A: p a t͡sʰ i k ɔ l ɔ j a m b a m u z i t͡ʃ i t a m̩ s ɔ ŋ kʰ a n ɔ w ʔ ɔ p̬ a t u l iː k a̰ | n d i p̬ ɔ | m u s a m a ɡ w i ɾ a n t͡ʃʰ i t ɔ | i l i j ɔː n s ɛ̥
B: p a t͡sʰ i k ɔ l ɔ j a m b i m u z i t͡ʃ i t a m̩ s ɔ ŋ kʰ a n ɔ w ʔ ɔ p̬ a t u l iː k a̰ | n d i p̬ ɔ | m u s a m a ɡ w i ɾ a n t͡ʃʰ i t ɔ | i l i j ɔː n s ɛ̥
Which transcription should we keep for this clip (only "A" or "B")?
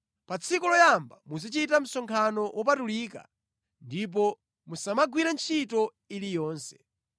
A